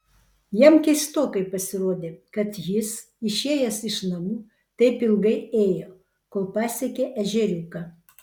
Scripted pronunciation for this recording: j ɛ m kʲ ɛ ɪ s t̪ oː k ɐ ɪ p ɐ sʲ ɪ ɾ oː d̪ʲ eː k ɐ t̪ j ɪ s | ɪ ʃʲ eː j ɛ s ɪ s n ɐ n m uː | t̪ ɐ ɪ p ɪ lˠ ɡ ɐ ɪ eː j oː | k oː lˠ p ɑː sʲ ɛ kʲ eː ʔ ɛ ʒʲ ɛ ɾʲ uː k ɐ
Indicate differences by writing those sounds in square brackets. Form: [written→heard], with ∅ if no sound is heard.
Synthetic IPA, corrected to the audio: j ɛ m kʲ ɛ ɪ s t̪ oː k ɐ ɪ p ɐ sʲ ɪ ɾ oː d̪ʲ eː k ɐ t̪ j ɪ s | ɪ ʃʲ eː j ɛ s ɪ [s→ʃ] n ɐ [n→∅] m uː | t̪ ɐ ɪ p ɪ lˠ ɡ ɐ ɪ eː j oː | k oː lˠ p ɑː sʲ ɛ kʲ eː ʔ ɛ ʒʲ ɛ ɾʲ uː k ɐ